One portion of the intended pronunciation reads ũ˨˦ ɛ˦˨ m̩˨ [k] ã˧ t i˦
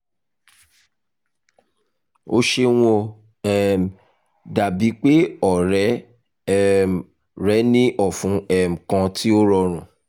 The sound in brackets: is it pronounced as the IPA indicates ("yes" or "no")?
yes